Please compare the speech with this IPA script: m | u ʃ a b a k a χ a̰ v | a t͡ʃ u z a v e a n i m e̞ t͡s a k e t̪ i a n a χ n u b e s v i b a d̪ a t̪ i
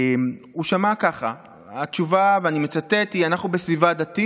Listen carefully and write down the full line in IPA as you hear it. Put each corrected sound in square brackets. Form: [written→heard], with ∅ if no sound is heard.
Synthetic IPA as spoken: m | u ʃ a [b→m] a k a χ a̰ [v→∅] | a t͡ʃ u [z→v] a v e a n i m e̞ t͡s a [k→t] e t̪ i a n a χ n u b e s v i [b→v] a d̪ a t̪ i